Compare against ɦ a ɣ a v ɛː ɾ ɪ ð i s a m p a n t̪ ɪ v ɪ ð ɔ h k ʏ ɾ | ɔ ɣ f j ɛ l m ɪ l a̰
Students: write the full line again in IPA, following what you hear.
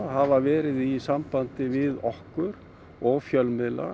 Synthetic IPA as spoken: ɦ a v a v ɛː ɾ ɪ ð i s a m p a n t̪ ɪ v ɪ ð ɔ h k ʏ ɾ | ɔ ɣ f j œ l m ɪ l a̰